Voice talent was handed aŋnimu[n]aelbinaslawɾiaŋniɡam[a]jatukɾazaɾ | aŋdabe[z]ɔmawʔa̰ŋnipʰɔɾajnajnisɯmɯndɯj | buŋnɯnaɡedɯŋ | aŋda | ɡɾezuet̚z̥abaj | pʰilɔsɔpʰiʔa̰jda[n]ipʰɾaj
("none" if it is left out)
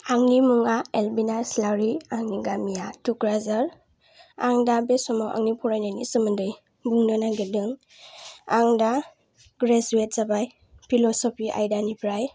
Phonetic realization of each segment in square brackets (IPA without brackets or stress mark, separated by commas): ŋ, i, s, n